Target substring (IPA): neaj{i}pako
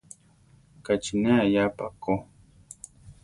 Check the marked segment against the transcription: incorrect: a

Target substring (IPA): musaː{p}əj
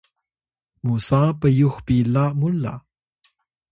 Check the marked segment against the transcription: correct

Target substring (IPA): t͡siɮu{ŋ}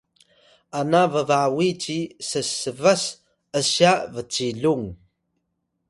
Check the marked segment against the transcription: correct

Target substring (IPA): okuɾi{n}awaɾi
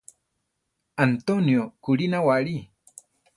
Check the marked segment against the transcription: correct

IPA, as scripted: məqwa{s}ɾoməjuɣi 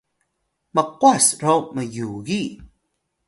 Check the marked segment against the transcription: correct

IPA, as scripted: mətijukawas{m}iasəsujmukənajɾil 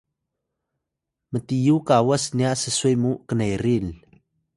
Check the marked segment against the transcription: incorrect: n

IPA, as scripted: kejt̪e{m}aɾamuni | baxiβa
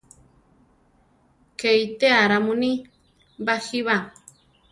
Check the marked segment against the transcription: incorrect: none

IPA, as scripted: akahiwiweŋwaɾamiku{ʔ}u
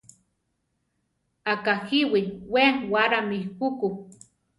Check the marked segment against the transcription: incorrect: k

